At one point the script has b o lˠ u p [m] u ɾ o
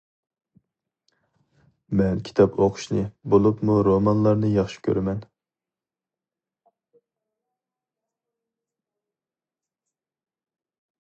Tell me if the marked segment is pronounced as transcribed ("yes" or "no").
yes